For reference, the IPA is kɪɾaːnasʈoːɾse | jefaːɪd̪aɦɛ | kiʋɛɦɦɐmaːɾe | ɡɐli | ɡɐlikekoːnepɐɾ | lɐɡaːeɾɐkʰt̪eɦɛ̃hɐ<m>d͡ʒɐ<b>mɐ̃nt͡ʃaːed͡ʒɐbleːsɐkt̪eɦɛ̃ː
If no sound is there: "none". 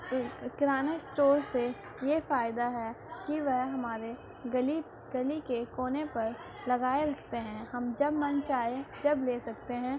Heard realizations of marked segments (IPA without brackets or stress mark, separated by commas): m, b